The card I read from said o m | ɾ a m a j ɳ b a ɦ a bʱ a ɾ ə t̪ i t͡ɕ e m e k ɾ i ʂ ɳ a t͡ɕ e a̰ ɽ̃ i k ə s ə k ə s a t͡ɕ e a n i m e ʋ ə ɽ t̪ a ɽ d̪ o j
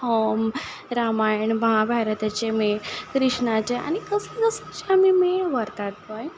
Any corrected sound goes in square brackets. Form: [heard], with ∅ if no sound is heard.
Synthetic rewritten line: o m | ɾ a m a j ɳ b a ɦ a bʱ a ɾ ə t̪ [a] t͡ɕ e m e k ɾ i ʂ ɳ a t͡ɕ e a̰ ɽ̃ i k ə s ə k ə s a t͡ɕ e a [m] i m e ʋ ə [ɾ] t̪ a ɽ [t̪] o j

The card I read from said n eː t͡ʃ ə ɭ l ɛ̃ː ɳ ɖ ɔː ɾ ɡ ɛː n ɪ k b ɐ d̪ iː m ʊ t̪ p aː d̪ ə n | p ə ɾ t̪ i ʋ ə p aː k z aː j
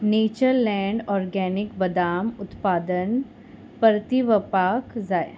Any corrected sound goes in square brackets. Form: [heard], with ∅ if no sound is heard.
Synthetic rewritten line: n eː t͡ʃ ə [ɾ] l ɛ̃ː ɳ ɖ ɔː ɾ ɡ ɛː n ɪ k b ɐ d̪ [aː] m ʊ t̪ p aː d̪ ə n | p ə ɾ t̪ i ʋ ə p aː k z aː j

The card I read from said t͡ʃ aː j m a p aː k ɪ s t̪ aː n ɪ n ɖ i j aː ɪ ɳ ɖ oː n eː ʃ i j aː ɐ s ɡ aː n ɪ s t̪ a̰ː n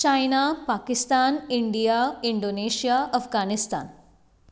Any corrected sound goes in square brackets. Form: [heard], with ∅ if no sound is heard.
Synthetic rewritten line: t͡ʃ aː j [n] a p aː k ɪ s t̪ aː n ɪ [ɳ] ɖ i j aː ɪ ɳ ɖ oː n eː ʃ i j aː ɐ [f] ɡ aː n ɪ s t̪ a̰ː n

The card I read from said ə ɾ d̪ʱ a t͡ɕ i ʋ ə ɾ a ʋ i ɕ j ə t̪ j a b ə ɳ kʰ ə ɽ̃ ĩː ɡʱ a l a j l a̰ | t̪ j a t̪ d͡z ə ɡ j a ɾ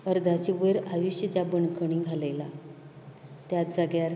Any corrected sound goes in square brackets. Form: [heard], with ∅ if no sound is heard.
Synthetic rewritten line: ə ɾ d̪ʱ a t͡ɕ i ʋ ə ɾ a ʋ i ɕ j ə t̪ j a b ə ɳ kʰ ə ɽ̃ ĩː ɡʱ a l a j l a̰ | t̪ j a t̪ d͡z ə ɡ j a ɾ

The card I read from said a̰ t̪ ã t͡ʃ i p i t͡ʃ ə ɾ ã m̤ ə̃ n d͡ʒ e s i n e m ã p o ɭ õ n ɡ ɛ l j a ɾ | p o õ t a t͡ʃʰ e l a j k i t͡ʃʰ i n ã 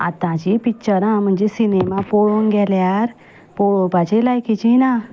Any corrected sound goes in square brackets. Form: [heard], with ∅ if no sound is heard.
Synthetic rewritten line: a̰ t̪ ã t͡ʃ i p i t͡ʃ ə ɾ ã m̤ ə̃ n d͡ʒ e s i n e m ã p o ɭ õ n ɡ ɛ l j a ɾ | p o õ [p] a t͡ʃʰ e l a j k i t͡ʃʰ i n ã

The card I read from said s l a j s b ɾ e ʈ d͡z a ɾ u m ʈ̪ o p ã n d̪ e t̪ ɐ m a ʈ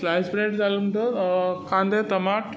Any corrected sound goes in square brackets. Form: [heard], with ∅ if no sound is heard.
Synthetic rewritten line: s l a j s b ɾ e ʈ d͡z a [l] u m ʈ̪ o [k] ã n d̪ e t̪ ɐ m a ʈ

